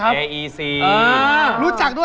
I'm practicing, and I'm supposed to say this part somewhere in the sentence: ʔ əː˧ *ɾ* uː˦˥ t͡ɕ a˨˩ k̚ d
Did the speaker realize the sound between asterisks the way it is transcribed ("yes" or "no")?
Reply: yes